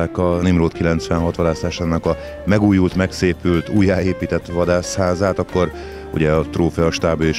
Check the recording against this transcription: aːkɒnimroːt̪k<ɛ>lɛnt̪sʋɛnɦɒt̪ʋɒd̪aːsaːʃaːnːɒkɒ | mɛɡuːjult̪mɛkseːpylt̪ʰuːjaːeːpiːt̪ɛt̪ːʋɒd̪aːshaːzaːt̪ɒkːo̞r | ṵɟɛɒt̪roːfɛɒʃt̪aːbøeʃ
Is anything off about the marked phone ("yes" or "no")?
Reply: yes